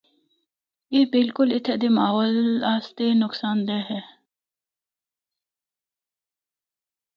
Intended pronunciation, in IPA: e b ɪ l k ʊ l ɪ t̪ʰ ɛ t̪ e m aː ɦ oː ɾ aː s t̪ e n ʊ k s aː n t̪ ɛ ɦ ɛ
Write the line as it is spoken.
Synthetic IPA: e b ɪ l k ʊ l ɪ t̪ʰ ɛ d̪ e m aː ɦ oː l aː s t̪ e n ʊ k s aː n d̪ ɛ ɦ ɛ